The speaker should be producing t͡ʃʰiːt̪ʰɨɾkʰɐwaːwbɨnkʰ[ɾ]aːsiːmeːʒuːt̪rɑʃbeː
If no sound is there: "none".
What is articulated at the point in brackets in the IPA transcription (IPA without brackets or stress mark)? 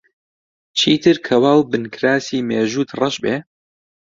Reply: ɾ